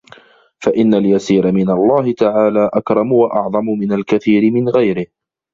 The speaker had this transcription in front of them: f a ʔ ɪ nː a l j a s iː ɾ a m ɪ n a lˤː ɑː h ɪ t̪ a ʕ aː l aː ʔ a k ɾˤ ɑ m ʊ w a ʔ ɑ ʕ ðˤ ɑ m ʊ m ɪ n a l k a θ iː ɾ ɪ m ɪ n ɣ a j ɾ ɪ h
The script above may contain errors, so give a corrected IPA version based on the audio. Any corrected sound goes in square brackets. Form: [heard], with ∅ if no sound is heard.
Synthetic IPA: f a ʔ ɪ nː a l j a s iː ɾ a m ɪ n a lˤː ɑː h ɪ t̪ a ʕ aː l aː ʔ a k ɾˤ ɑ m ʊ w a ʔ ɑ ʕ ðˤ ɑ m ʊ m ɪ n a l k a θ iː ɾ ɪ m ɪ n ɣ a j ɾ ɪ h